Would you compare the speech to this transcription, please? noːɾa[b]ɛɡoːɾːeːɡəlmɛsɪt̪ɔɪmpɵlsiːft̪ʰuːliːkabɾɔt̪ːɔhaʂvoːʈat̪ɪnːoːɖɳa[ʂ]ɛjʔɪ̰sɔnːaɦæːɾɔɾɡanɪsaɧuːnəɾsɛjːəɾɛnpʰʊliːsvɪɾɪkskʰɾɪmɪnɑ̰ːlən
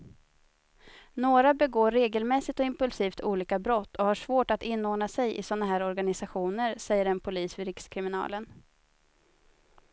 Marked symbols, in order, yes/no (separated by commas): yes, no